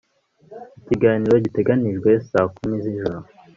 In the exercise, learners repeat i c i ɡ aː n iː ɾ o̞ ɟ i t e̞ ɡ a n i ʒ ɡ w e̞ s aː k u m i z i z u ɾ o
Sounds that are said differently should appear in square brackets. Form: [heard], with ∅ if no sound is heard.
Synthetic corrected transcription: i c i ɡ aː n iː ɾ o̞ ɟ i t e̞ ɡ a n i ʒ ɡ w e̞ s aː k u m i z i [ʒ] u ɾ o